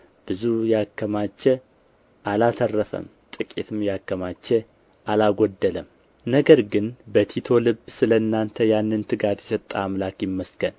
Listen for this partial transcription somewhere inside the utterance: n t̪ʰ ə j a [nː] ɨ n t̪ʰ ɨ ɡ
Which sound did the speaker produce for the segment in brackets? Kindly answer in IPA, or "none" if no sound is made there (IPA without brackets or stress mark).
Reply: nː